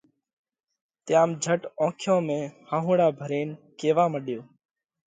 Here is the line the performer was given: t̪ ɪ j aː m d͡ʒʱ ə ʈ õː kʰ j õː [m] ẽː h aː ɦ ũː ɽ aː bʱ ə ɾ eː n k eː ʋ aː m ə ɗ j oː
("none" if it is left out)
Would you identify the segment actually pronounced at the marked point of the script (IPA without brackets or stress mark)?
m